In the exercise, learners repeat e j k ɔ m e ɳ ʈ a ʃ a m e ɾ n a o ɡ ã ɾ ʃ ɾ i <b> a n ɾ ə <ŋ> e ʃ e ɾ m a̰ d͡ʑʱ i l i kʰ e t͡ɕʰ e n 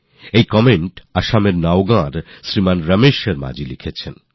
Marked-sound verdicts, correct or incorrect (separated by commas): incorrect, incorrect